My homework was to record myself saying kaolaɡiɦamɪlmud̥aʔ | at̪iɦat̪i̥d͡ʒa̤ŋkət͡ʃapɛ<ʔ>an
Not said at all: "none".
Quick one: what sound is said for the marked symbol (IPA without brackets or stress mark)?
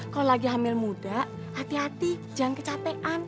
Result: ʔ